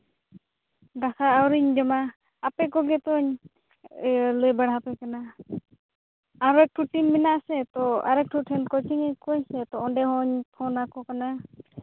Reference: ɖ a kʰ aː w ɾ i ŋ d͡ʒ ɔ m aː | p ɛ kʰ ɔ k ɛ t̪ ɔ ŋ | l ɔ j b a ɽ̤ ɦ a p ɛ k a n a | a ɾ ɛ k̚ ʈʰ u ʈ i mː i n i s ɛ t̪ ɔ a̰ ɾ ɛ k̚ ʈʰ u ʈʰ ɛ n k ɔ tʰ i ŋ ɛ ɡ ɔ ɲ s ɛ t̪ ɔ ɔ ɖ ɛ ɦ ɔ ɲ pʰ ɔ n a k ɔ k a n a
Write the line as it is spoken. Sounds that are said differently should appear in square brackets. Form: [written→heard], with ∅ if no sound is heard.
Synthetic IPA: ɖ a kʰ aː w ɾ i [ŋ→ɲ] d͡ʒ ɔ m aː | p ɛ [kʰ→k] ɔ [k→ɡ] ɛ t̪ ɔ [ŋ→ɲ] | l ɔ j b a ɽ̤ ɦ a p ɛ k a n a | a ɾ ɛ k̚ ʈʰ u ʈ i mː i n [i→a] s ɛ t̪ ɔ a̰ ɾ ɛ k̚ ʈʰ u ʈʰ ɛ n k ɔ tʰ i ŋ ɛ [ɡ→k] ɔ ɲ s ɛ t̪ ɔ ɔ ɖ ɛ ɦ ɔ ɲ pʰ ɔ n a k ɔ k a n a